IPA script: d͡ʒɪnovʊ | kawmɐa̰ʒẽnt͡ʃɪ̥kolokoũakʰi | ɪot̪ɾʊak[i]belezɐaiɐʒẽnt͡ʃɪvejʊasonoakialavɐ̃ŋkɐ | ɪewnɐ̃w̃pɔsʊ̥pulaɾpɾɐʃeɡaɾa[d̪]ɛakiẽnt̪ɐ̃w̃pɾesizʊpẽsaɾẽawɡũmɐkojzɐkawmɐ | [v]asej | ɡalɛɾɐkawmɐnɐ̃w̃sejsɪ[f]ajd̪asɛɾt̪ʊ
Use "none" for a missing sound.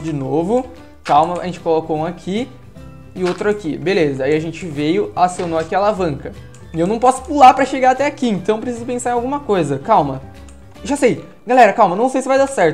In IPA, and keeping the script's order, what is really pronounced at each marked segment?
i, t̪, ʒ, v

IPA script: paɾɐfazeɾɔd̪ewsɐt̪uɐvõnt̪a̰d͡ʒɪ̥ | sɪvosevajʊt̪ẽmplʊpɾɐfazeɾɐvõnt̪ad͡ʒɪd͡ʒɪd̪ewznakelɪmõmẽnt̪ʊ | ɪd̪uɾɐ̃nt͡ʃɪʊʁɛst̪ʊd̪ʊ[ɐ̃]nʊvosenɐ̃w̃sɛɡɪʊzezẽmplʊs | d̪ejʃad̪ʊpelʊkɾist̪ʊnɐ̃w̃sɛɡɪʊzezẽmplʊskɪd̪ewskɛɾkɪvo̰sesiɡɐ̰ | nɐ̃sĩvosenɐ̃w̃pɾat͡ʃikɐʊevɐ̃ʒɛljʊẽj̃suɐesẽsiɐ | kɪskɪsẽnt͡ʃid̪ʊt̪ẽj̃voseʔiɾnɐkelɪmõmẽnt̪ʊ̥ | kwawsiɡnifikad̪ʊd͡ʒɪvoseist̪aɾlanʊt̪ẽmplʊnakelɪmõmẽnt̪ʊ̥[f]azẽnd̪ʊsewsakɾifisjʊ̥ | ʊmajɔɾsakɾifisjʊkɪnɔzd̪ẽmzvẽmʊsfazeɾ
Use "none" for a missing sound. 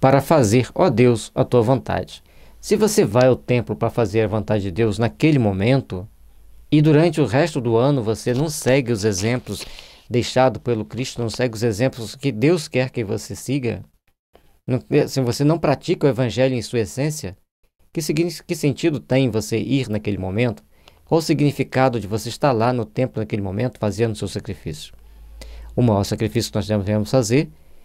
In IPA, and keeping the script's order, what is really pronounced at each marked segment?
ɐ̃, f

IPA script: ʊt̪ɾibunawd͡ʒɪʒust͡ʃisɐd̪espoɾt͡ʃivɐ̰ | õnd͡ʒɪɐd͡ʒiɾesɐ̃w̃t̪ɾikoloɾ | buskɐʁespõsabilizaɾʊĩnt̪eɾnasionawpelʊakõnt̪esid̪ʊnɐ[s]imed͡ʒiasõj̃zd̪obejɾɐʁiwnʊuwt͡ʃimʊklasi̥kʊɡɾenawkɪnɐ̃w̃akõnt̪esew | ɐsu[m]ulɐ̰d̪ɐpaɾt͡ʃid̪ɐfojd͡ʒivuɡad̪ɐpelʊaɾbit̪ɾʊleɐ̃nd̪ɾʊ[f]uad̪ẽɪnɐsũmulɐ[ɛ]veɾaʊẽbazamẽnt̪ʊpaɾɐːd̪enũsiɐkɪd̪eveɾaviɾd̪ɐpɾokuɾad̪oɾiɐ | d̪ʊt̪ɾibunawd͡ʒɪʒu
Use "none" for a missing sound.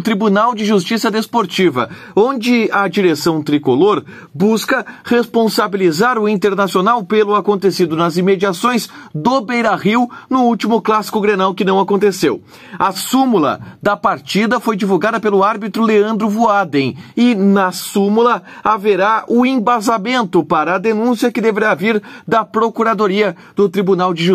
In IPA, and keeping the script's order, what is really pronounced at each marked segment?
z, m, v, a

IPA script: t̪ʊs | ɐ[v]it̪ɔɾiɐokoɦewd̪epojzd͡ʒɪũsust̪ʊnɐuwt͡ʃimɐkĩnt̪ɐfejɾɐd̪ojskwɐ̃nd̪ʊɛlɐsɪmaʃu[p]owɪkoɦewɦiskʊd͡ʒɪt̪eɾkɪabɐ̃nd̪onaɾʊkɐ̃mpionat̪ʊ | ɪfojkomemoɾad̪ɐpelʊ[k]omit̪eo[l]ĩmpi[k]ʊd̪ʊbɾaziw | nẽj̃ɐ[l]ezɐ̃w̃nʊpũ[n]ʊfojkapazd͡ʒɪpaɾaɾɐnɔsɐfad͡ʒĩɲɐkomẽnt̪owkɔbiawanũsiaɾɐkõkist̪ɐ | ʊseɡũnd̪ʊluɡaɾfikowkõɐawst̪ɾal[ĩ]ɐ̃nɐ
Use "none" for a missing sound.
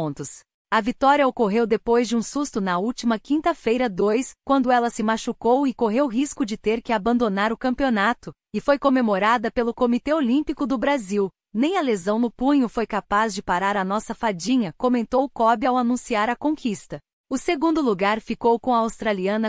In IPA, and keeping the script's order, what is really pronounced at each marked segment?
v, k, k, l, k, l, ɲ, i

